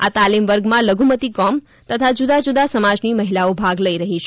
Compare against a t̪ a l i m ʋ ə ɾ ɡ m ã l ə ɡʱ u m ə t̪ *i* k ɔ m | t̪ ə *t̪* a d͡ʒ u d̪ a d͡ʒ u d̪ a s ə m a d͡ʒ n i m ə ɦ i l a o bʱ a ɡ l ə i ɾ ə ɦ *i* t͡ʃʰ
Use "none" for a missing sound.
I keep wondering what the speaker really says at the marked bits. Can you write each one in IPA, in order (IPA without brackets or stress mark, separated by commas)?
i, t̪ʰ, i